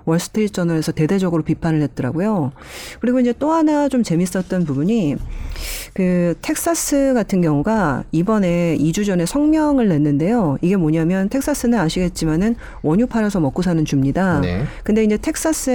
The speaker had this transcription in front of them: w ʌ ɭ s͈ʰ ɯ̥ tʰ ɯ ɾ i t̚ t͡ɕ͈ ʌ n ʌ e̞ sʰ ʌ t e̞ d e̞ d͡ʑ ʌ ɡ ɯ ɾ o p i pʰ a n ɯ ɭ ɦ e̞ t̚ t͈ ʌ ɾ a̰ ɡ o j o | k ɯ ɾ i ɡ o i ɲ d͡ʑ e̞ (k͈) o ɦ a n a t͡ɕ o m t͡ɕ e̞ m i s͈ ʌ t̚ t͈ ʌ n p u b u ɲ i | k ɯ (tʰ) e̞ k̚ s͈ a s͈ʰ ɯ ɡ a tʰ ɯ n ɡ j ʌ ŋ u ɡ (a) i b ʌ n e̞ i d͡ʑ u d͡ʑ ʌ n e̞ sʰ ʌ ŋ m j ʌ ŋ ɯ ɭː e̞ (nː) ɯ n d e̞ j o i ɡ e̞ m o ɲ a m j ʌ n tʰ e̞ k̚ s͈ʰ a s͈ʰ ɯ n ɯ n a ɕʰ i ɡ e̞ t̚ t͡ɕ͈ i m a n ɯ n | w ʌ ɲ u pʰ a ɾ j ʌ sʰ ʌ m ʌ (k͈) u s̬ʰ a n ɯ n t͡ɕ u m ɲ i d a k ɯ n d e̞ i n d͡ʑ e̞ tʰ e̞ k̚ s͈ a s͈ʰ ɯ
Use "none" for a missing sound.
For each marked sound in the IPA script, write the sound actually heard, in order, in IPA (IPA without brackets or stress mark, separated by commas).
t͈, tʰ, a, nː, k͈